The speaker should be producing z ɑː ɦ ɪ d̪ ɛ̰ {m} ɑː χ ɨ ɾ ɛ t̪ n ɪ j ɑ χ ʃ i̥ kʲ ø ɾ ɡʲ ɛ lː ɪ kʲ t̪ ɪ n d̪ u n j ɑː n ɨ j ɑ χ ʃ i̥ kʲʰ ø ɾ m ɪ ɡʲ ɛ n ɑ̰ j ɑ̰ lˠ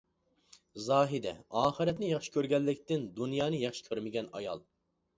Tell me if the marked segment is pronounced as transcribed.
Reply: no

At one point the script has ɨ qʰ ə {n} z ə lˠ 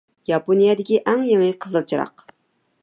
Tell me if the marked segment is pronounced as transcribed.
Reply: no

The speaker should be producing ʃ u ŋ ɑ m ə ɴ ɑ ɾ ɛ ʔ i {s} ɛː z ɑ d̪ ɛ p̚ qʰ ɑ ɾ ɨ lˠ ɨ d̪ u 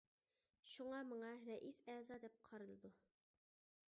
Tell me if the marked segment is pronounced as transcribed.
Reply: yes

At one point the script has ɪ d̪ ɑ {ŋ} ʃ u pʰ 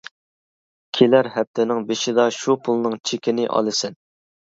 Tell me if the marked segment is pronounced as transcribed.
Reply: no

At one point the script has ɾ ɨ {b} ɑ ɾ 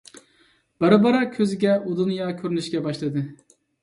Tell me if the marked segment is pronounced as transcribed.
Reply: yes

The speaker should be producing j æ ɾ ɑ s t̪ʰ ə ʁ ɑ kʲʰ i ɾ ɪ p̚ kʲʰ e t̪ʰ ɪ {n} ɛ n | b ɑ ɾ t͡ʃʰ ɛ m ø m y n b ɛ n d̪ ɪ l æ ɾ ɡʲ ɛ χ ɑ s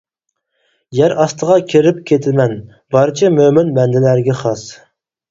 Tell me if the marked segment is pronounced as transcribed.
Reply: no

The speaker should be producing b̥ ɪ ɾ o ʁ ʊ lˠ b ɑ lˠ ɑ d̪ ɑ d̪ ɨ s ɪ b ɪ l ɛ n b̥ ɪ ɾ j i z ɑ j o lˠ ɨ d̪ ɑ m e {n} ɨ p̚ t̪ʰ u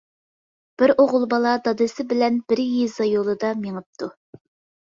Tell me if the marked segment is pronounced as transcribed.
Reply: no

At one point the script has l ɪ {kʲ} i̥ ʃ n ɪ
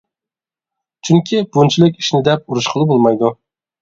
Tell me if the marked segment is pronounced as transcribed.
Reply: yes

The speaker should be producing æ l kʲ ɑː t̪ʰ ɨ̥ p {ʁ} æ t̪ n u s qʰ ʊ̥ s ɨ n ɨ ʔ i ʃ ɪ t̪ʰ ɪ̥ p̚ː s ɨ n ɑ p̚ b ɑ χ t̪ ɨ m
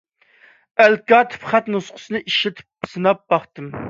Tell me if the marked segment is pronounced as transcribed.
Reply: no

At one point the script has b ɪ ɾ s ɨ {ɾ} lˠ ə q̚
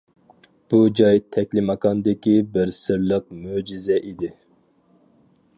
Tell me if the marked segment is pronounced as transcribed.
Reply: yes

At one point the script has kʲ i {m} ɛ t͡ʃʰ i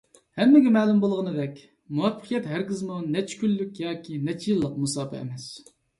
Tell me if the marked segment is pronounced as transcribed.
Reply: no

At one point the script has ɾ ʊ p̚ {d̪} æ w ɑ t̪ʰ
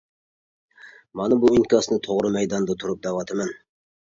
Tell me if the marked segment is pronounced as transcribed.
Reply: yes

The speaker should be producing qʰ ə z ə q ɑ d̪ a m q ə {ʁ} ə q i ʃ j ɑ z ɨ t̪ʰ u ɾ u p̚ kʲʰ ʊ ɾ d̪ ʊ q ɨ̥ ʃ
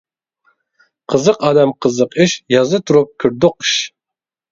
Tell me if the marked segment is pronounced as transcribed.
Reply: no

